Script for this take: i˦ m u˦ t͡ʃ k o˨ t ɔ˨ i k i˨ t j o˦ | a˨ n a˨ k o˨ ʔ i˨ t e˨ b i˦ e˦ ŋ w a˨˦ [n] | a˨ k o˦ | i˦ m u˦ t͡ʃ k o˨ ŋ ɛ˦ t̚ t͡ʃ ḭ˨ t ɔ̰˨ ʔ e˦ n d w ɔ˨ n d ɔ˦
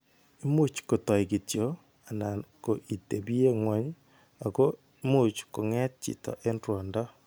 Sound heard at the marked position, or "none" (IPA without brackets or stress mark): ɲ